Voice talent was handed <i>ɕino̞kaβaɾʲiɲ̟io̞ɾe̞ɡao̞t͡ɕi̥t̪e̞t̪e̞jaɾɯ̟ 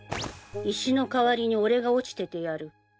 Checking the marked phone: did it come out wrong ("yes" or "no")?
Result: no